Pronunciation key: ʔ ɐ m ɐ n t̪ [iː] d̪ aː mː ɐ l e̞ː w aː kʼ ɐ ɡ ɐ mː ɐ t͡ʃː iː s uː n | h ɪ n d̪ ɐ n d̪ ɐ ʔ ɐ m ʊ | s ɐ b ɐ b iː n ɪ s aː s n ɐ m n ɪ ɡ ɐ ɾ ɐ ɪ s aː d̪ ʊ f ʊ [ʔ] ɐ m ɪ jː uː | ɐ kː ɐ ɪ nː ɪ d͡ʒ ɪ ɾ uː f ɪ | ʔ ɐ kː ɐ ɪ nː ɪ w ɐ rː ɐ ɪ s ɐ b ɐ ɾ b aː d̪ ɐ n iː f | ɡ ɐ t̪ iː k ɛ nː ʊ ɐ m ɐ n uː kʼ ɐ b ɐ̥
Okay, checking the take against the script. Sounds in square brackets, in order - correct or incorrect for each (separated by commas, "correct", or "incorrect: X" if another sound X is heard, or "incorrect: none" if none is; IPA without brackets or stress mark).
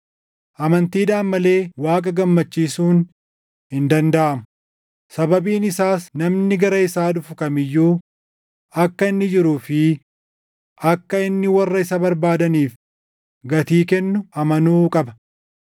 correct, incorrect: k